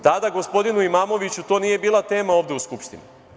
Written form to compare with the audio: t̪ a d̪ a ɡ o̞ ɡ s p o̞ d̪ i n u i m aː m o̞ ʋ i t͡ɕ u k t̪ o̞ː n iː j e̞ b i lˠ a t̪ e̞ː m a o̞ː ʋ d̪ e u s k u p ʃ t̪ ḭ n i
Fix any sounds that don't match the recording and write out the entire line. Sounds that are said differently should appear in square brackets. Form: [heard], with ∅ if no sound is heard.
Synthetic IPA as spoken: t̪ a d̪ a ɡ o̞ [∅] s p o̞ d̪ i n u i m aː m o̞ ʋ i t͡ɕ u [∅] t̪ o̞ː n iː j e̞ b [iː] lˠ a t̪ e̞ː m a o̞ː ʋ d̪ e u s k u p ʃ t̪ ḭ n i